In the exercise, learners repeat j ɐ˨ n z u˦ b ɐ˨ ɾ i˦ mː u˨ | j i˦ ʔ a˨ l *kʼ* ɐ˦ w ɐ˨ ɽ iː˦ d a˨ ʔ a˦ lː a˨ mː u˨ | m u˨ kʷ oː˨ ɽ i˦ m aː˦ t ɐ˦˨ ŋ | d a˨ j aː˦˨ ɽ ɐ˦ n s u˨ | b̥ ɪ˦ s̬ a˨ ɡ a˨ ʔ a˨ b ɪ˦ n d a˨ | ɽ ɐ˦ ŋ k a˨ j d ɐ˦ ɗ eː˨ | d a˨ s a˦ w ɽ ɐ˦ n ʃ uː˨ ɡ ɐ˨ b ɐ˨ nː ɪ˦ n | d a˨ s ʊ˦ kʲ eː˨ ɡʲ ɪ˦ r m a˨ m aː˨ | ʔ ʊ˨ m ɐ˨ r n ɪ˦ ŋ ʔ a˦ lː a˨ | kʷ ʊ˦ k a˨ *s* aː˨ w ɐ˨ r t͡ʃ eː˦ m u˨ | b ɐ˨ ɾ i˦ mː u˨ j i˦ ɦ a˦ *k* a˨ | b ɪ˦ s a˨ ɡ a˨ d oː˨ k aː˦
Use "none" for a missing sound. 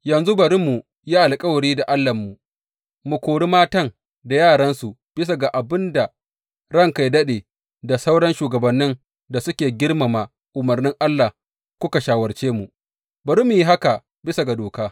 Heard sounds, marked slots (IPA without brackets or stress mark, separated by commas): kʼ, ʃ, k